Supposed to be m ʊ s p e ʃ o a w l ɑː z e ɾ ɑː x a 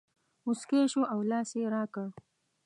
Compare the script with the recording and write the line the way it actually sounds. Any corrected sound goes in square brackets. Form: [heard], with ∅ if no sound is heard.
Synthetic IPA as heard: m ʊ s [k] e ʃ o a w l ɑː [s] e ɾ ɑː [k] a